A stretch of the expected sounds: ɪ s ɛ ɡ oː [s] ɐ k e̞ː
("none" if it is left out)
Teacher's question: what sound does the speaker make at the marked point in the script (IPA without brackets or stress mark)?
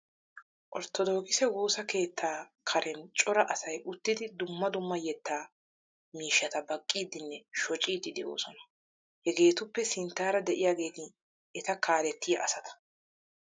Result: s